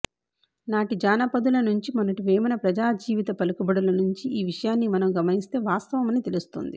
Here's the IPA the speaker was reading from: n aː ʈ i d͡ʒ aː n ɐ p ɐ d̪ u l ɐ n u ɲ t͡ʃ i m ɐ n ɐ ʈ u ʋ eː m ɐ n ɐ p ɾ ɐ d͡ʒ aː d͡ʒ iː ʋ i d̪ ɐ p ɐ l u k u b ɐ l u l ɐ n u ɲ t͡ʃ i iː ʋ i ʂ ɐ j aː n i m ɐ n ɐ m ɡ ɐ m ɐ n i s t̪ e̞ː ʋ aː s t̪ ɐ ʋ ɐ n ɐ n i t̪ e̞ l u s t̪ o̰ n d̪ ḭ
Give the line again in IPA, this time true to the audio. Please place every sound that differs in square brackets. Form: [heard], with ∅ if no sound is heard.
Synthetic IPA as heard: n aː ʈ i d͡ʒ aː n ɐ p ɐ d̪ u l ɐ n u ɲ t͡ʃ i m ɐ n ɐ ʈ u ʋ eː m ɐ n ɐ p ɾ ɐ d͡ʒ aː d͡ʒ iː ʋ i [t̪] ɐ p ɐ l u k u b ɐ [ɽ] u l ɐ n u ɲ t͡ʃ i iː ʋ i ʂ ɐ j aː [nː] i m ɐ n ɐ m ɡ ɐ m ɐ n i s t̪ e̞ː ʋ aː s t̪ ɐ ʋ ɐ [m] ɐ n i t̪ e̞ l u s t̪ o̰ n d̪ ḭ